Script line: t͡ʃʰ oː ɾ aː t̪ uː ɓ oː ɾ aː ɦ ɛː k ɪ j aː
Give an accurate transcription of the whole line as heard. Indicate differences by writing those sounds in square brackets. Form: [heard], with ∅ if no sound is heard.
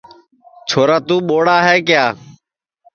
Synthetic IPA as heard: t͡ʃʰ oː ɾ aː t̪ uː ɓ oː [ɽ] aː ɦ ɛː k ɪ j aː